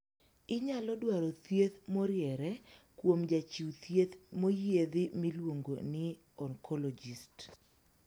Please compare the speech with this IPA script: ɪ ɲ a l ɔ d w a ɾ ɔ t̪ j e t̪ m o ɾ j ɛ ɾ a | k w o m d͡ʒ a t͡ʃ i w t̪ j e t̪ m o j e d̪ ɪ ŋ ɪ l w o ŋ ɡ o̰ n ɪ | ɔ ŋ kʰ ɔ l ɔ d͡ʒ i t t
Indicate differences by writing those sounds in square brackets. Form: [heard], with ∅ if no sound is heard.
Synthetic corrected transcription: ɪ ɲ a l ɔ d w a ɾ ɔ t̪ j e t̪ m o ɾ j ɛ ɾ [ɛ] | k w o m d͡ʒ a t͡ʃ i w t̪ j e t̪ m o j e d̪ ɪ [m] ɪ l w o ŋ ɡ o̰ n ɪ | ɔ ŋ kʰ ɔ l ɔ d͡ʒ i [s] t